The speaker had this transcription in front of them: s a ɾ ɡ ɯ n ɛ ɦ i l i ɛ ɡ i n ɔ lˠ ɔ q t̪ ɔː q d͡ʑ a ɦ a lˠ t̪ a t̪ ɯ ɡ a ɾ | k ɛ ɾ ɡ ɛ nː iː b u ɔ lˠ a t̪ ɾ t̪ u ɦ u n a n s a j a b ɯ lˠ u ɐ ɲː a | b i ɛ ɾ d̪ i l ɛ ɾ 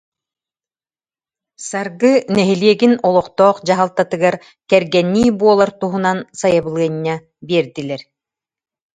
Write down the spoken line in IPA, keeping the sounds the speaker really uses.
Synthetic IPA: s a ɾ ɡ ɯ n ɛ ɦ i l i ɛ ɡ i n ɔ lˠ ɔ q t̪ ɔː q d͡ʑ a ɦ a lˠ t̪ a t̪ ɯ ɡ a ɾ | k ɛ ɾ ɡ ɛ nː iː b u ɔ lˠ a ɾ t̪ u ɦ u n a n s a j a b ɯ lˠ ɯ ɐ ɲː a | b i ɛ ɾ d̪ i l ɛ ɾ